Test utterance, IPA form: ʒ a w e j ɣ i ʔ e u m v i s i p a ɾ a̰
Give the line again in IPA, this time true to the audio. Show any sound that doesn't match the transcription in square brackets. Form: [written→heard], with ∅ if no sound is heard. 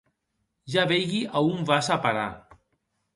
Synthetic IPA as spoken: ʒ a [w→β] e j ɣ i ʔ [e→a] u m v [i→a] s [i→a] p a ɾ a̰